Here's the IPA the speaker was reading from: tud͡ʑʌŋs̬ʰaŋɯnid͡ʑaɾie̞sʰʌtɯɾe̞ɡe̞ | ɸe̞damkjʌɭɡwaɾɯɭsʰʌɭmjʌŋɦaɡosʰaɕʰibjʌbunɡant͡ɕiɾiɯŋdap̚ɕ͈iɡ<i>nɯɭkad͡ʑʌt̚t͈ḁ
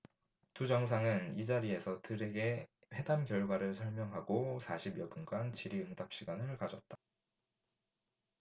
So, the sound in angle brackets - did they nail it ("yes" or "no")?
no